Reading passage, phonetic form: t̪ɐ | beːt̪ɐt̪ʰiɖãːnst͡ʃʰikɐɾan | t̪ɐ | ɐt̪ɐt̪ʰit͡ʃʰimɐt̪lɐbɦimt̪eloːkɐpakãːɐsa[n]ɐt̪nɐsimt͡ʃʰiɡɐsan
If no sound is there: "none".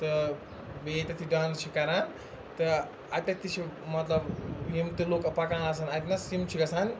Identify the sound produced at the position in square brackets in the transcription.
n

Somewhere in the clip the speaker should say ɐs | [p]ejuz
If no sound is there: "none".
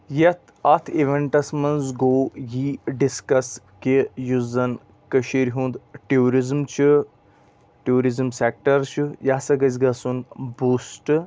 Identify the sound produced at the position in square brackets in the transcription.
k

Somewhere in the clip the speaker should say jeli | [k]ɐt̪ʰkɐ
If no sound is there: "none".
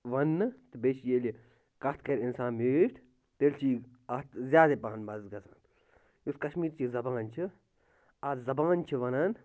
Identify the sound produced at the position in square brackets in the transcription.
k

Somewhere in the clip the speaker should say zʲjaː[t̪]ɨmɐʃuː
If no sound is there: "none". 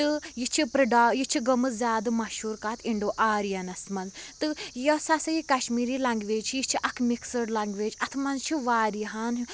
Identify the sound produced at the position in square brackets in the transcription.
d̪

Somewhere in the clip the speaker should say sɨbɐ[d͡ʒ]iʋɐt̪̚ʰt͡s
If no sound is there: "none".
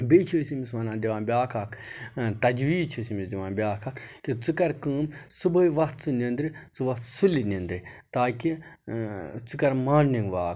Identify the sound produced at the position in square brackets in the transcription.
none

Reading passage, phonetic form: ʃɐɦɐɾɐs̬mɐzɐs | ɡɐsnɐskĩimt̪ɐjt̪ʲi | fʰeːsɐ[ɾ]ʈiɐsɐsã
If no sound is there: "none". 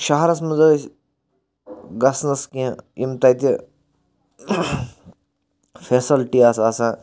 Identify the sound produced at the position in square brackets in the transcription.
l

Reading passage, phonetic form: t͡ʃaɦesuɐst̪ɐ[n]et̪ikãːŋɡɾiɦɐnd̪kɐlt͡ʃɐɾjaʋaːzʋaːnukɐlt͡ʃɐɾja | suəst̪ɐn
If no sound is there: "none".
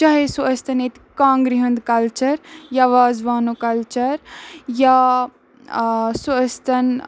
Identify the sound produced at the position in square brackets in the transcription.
n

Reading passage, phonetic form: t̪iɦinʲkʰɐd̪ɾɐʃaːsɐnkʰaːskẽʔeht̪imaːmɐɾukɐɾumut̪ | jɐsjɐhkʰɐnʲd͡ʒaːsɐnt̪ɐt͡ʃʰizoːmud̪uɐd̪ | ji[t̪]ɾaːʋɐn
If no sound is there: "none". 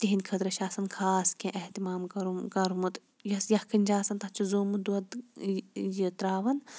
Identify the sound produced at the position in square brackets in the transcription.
t̪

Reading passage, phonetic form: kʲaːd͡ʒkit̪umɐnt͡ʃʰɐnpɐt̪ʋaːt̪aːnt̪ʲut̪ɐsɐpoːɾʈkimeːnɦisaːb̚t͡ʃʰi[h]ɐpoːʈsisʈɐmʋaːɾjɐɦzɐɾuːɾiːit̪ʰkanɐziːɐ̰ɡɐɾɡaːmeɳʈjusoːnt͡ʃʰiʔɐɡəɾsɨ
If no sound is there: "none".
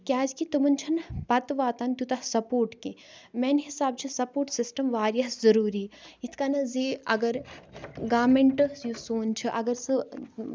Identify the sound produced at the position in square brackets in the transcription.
s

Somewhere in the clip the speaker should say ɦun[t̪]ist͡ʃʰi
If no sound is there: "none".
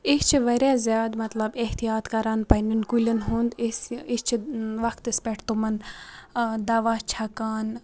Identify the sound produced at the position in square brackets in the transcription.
d̪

